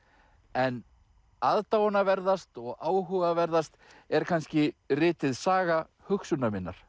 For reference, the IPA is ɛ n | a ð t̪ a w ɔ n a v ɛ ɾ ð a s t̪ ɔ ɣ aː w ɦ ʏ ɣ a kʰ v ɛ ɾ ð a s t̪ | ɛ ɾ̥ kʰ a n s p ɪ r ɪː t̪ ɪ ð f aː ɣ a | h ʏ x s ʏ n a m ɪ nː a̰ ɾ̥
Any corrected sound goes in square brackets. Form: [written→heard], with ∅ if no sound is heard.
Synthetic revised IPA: ɛ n | a ð t̪ a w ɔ n a v ɛ ɾ ð a s t̪ ɔ ɣ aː w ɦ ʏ ɣ a [kʰ→∅] v ɛ ɾ ð a s t̪ | ɛ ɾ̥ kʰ a n s [p→c] ɪ r ɪː t̪ ɪ ð [f→s] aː ɣ a | h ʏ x s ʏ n a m ɪ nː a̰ ɾ̥